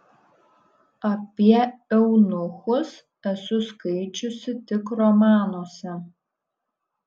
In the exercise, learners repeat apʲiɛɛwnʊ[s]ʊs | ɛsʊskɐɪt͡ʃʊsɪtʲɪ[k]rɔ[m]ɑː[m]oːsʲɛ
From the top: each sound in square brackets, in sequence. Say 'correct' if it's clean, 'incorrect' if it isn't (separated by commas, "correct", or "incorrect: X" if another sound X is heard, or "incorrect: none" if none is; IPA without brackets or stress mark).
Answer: incorrect: x, correct, correct, incorrect: n